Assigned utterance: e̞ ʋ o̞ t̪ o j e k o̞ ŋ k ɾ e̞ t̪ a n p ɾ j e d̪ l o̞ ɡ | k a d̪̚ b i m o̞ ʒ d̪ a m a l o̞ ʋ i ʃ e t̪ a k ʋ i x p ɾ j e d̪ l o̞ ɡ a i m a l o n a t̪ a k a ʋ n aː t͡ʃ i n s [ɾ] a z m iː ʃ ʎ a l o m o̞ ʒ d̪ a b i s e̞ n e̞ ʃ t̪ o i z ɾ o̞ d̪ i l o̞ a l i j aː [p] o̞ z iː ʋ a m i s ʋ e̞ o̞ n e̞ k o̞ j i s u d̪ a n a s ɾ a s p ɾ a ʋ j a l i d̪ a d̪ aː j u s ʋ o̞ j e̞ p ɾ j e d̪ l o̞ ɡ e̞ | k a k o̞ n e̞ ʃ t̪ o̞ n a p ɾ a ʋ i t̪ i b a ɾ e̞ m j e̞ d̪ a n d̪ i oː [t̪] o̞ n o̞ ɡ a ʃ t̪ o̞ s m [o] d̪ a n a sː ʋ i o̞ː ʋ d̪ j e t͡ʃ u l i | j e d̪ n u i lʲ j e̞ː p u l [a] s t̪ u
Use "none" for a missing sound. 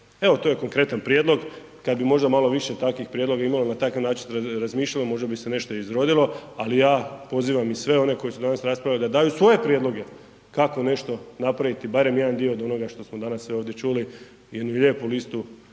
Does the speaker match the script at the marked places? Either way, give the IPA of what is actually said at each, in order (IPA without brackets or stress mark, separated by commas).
ɾ, p, d̪, o, i